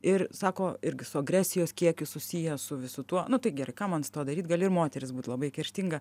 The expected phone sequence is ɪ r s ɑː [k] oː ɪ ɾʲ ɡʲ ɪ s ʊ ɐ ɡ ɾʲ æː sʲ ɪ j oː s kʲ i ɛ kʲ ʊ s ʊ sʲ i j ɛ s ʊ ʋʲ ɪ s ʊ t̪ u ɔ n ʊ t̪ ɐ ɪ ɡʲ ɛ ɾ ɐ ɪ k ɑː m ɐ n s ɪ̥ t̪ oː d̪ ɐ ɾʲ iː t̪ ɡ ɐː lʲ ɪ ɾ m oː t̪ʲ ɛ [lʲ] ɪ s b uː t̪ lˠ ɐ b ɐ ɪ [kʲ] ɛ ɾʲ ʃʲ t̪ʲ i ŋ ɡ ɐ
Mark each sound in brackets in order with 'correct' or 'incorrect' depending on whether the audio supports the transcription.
correct, incorrect: ɾʲ, correct

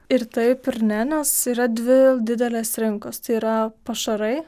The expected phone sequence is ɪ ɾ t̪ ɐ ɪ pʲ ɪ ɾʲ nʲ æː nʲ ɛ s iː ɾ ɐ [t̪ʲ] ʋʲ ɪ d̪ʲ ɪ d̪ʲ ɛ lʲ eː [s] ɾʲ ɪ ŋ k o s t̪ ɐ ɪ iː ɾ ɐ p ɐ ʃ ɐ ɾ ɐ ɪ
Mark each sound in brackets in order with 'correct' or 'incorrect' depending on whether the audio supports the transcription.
incorrect: d̪ʲ, correct

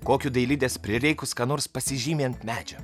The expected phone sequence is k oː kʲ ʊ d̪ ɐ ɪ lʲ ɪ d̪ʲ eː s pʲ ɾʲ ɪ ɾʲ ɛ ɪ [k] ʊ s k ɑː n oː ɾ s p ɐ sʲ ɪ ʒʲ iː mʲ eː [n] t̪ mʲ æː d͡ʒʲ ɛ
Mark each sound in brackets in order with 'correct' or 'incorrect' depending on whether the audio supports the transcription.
correct, correct

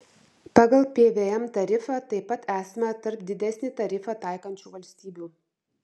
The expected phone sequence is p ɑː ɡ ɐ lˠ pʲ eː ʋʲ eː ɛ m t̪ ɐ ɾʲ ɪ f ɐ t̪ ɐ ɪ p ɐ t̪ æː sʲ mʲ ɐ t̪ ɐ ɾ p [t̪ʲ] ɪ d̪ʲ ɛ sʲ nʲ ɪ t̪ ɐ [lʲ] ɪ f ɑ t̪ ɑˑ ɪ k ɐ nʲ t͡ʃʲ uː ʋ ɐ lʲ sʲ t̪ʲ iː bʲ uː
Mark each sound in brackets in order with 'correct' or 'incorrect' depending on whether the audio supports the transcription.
incorrect: d̪ʲ, incorrect: ɾʲ

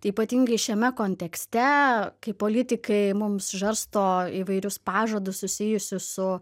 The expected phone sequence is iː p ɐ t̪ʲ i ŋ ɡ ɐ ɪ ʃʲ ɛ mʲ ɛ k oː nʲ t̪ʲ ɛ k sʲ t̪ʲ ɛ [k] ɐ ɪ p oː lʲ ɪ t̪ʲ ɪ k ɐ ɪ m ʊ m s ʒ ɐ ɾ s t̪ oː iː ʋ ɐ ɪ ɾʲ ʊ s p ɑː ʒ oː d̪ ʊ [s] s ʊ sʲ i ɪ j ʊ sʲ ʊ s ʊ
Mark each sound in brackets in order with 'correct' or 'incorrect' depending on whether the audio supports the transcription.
correct, correct

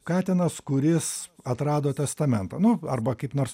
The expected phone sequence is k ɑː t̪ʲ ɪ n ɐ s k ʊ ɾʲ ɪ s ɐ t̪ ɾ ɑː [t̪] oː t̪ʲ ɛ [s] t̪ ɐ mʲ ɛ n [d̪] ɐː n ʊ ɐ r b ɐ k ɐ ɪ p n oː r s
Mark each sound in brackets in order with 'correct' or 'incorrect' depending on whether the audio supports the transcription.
incorrect: d̪, correct, incorrect: t̪

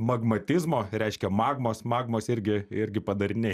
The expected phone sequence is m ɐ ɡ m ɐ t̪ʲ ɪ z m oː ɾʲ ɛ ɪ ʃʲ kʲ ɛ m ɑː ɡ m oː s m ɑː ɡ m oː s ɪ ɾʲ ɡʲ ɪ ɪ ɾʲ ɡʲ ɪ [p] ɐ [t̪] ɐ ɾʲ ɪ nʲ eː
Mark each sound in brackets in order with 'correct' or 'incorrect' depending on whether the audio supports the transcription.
correct, incorrect: d̪

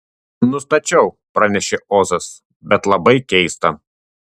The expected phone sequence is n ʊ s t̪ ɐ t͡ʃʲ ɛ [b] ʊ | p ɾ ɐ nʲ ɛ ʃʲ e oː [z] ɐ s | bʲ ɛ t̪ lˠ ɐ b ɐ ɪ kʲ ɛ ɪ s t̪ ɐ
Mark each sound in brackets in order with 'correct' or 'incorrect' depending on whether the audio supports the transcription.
incorrect: none, correct

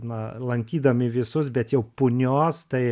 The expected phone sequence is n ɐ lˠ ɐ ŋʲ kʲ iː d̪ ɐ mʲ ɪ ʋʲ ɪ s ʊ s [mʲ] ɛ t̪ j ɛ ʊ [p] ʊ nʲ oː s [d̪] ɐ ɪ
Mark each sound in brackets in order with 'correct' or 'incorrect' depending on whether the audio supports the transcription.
incorrect: bʲ, correct, incorrect: t̪

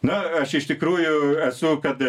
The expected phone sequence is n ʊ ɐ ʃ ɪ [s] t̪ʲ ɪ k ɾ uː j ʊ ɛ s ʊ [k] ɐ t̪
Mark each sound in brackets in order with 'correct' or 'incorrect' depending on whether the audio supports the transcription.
incorrect: ʃ, correct

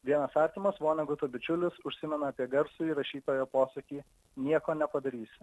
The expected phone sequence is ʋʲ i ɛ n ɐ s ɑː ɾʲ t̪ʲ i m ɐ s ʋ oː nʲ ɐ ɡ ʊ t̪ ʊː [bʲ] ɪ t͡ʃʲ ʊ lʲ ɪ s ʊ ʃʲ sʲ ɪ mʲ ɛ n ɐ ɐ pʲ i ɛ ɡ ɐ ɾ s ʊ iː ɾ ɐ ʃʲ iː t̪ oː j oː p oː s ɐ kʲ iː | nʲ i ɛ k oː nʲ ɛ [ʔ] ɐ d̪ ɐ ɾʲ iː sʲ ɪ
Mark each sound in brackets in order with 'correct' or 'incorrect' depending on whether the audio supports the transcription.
correct, incorrect: p

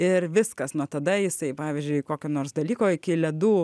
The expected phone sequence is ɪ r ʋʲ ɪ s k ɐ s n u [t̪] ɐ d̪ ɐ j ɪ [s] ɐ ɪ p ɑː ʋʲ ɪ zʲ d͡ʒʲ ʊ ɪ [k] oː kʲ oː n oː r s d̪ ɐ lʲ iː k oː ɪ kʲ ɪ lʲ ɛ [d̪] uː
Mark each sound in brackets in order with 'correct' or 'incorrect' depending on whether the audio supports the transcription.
correct, correct, correct, correct

